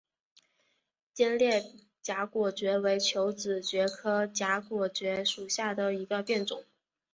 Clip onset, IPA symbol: t͡ɕ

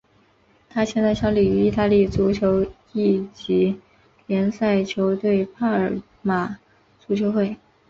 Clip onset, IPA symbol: t̪ʰ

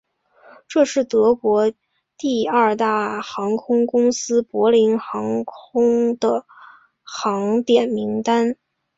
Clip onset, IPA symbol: ʈ͡ʂ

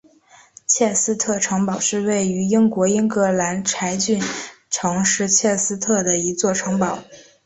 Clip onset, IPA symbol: t͡ɕʰ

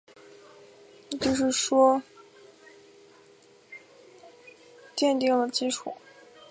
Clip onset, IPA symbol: t͡ɕ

